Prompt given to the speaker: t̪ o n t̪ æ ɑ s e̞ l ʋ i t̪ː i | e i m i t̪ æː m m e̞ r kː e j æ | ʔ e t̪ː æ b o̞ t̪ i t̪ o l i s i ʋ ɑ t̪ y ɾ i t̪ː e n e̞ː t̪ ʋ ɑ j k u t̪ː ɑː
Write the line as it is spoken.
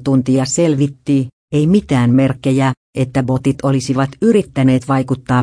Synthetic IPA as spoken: t̪ u n t̪ i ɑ s e̞ l ʋ i t̪ː i | e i m i t̪ æː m m e̞ r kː e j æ | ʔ e t̪ː æ b o̞ t̪ i t̪ o l i s i ʋ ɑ t̪ y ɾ i t̪ː æ n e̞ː t̪ ʋ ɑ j k u t̪ː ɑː